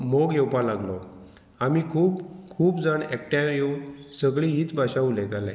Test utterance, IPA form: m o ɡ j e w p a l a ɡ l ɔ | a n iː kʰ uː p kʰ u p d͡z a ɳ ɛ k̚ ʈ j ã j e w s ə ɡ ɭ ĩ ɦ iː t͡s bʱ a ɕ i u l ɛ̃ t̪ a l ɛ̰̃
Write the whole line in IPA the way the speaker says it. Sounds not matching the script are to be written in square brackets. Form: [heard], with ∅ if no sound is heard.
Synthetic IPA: m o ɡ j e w p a l a ɡ l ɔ | a [m] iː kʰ uː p kʰ [uː] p d͡z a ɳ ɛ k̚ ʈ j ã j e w s ə ɡ ɭ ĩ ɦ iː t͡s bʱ a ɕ [a] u l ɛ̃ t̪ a l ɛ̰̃